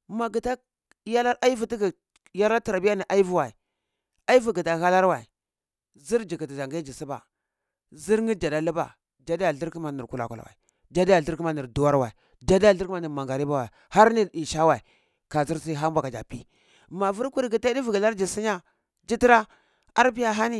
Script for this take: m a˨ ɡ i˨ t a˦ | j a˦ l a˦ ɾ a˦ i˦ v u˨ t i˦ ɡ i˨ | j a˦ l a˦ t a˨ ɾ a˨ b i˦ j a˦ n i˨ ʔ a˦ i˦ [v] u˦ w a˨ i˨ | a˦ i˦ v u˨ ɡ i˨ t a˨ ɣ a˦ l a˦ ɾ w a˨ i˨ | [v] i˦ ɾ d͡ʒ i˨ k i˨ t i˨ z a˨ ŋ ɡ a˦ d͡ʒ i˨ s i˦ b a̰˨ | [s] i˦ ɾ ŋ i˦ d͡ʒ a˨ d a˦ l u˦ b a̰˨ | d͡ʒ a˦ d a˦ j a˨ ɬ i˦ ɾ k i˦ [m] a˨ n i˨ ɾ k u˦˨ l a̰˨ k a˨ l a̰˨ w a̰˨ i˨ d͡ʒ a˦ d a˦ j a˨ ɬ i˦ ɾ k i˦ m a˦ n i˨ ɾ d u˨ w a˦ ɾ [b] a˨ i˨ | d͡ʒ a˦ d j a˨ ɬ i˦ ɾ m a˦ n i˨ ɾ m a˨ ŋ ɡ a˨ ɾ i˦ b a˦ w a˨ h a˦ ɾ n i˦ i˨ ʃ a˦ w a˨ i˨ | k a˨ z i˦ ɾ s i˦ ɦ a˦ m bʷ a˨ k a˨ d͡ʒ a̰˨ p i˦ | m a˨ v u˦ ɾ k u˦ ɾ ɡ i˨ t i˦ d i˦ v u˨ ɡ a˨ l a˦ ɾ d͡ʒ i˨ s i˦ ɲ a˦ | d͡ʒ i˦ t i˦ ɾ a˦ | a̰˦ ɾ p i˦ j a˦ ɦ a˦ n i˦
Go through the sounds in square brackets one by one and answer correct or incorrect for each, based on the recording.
correct, incorrect, incorrect, correct, incorrect

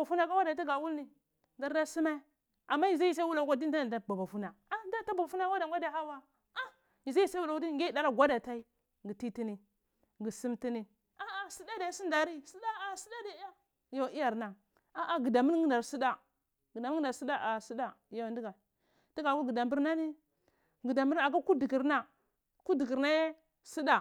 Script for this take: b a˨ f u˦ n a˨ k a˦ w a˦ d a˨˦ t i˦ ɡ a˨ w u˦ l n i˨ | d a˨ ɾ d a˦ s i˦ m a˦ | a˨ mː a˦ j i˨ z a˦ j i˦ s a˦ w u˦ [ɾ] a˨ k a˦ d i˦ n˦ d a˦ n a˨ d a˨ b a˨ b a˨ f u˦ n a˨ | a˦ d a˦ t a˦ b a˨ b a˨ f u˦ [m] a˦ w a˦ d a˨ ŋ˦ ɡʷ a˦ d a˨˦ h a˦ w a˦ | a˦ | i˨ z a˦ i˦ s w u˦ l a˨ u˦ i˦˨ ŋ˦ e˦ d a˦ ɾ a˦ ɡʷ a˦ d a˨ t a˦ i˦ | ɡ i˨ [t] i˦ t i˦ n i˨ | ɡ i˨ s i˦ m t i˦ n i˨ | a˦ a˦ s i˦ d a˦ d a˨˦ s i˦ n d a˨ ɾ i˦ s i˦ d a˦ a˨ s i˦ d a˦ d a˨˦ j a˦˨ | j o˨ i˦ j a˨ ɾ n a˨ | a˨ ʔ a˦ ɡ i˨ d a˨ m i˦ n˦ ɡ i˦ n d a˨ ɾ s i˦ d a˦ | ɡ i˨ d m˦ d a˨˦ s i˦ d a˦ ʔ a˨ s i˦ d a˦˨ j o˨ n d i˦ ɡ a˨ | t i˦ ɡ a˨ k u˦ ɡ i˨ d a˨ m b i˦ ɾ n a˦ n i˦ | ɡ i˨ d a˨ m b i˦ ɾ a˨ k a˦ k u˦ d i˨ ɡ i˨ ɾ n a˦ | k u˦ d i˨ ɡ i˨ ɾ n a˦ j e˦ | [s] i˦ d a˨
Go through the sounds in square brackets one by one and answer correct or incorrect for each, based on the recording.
incorrect, incorrect, correct, correct

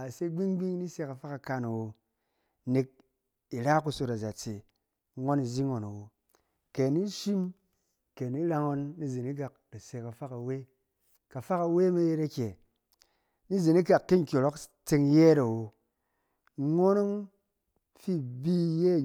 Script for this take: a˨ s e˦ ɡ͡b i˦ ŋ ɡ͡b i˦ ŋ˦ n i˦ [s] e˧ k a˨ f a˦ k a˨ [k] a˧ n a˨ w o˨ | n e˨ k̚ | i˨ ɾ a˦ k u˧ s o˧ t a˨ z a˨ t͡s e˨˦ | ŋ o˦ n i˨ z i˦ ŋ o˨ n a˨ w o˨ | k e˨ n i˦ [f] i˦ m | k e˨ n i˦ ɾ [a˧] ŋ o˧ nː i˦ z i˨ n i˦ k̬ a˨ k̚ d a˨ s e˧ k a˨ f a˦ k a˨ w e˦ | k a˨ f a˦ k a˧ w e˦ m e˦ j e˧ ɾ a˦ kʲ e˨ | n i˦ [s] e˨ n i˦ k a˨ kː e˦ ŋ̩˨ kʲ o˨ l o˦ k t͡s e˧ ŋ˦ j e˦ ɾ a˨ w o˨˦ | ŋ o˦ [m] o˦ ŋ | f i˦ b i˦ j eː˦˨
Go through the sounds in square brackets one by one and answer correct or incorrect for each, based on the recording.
correct, correct, incorrect, correct, incorrect, incorrect

